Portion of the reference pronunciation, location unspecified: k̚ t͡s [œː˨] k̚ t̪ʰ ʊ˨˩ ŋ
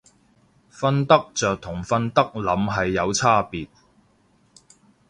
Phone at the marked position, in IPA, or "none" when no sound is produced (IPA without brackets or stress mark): œː˨